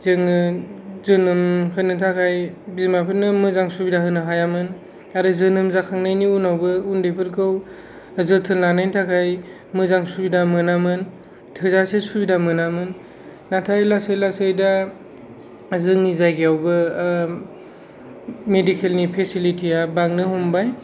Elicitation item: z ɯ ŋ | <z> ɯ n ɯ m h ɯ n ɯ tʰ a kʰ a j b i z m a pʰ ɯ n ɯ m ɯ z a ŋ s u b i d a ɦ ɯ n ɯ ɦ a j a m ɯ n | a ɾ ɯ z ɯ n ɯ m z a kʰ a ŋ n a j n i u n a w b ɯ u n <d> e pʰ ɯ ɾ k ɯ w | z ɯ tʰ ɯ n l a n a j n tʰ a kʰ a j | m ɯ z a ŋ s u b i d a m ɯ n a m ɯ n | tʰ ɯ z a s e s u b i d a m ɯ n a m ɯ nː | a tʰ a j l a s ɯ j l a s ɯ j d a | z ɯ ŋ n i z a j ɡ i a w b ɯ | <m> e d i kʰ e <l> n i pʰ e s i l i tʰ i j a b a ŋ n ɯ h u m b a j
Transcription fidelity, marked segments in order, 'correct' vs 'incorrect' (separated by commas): correct, correct, correct, correct